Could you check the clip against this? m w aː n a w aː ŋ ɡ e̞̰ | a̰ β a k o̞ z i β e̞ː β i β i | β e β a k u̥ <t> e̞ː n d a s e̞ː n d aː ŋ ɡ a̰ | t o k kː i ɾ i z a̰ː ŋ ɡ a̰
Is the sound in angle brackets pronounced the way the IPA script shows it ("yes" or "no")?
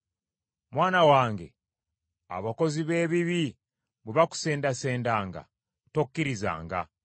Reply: no